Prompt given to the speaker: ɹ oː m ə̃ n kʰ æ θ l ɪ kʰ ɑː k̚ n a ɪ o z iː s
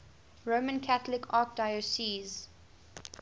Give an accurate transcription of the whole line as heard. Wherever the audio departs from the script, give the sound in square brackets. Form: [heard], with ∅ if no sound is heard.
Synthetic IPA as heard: ɹ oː m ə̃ n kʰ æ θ l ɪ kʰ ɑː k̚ [d] a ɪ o [s] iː [z]